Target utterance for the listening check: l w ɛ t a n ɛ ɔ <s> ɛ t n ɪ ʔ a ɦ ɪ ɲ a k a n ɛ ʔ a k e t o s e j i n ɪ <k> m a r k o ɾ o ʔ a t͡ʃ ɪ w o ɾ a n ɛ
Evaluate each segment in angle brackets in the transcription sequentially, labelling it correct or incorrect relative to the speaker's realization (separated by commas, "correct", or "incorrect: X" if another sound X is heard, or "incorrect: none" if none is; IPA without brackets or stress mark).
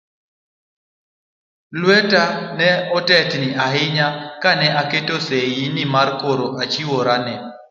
incorrect: t, incorrect: none